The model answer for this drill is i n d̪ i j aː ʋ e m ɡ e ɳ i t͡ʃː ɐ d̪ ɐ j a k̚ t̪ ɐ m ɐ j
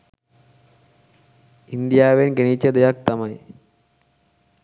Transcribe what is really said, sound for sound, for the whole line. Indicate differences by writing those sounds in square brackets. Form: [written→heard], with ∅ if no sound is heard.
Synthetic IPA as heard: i n d̪ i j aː ʋ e [m→n] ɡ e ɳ i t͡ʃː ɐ d̪ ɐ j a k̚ t̪ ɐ m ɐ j